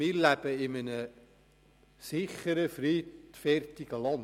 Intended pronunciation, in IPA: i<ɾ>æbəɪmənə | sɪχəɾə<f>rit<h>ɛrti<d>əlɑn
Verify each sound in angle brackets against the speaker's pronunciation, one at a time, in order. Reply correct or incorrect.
incorrect: l, correct, incorrect: f, incorrect: ɡ

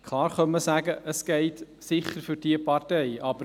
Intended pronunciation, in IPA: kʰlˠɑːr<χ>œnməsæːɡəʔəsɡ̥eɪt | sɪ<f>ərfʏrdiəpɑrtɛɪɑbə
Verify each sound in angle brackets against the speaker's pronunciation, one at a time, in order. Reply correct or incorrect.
correct, incorrect: χ

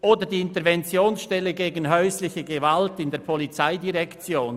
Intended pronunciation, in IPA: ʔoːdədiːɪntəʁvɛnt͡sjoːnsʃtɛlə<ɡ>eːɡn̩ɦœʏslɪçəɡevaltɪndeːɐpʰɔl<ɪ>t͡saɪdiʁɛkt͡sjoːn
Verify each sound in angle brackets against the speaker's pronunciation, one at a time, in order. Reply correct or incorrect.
correct, incorrect: i

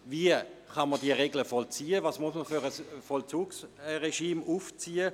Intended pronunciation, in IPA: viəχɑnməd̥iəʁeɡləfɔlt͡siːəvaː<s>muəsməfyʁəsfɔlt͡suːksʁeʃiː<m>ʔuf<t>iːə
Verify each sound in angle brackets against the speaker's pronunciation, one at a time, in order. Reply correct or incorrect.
correct, correct, incorrect: t͡s

